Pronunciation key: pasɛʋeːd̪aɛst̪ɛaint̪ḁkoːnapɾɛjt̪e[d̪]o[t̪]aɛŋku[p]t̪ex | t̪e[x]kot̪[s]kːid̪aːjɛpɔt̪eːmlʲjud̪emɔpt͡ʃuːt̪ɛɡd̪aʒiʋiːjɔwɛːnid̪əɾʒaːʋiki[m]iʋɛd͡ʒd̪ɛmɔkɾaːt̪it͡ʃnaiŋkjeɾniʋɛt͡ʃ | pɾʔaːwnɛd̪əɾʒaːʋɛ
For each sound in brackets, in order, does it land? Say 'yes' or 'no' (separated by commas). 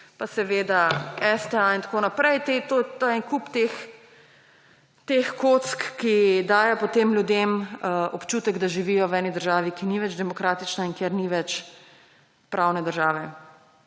no, yes, yes, yes, yes, no